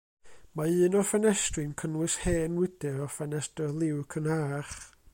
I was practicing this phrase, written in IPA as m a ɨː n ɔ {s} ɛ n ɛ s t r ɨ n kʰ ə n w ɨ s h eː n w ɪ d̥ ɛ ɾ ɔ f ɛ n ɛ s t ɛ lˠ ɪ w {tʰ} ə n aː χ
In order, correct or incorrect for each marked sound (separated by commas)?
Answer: incorrect, incorrect